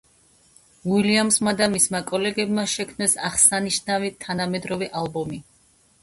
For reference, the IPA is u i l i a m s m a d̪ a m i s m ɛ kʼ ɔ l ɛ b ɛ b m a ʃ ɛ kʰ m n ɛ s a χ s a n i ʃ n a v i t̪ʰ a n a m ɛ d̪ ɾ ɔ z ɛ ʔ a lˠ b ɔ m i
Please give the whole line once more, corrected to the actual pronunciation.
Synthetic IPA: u i l i a m s m a d̪ a m i s m a kʼ ɔ l ɛ ɡ ɛ b m a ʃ ɛ kʰ m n ɛ s a χ s a n i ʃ n a v i t̪ʰ a n a m ɛ d̪ ɾ ɔ v ɛ ʔ a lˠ b ɔ m i